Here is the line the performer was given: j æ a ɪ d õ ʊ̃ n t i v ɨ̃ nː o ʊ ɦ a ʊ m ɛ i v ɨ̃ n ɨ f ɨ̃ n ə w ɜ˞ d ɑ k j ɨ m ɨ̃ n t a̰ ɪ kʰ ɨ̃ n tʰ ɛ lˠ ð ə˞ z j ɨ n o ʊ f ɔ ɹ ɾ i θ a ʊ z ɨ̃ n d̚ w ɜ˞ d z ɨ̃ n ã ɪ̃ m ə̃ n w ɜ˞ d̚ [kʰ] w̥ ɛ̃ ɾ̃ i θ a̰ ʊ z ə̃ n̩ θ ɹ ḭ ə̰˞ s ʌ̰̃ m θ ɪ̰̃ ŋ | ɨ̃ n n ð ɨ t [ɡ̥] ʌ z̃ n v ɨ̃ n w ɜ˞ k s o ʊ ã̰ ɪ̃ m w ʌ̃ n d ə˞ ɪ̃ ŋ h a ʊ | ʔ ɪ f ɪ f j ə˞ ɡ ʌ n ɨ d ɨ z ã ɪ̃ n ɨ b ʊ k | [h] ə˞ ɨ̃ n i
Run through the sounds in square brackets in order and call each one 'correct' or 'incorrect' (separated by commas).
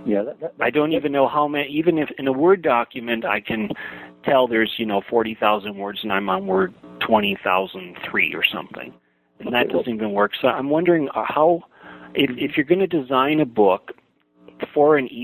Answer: incorrect, incorrect, incorrect